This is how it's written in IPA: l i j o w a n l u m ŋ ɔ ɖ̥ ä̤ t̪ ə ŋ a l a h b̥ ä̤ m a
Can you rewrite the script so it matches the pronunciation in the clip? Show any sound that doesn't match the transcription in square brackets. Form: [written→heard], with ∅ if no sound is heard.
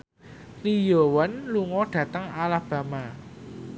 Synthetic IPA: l i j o w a n l u [m→∅] ŋ ɔ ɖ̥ ä̤ t̪ ə ŋ a l a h b̥ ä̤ m a